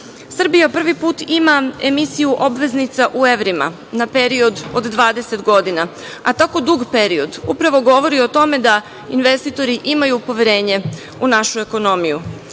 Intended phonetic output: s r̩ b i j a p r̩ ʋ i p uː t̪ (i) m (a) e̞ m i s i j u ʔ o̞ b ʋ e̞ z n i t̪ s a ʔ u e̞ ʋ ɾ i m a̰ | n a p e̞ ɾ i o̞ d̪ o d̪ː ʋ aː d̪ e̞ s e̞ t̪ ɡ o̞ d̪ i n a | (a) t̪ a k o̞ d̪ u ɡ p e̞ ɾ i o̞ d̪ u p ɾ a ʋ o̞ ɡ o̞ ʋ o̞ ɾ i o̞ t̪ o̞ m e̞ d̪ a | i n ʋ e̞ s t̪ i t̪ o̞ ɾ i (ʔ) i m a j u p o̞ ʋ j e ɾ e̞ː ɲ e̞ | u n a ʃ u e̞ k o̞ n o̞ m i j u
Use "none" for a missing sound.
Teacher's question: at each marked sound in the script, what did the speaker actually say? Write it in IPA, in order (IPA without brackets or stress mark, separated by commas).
i, a, a, ʔ